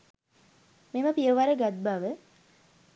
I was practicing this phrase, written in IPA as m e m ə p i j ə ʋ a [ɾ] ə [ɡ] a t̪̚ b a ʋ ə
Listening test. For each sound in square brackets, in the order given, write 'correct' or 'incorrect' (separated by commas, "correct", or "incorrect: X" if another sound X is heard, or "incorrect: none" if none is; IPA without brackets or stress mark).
correct, correct